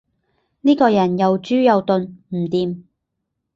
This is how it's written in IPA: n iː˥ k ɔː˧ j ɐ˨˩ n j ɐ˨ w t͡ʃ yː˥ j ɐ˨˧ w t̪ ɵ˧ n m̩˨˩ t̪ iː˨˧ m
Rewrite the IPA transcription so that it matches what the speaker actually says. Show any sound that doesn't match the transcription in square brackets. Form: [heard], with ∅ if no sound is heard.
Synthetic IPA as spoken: n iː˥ k ɔː˧ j ɐ˨˩ n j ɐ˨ w t͡ʃ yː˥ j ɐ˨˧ w t̪ ɵ˧ n m̩˨˩ t̪ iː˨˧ m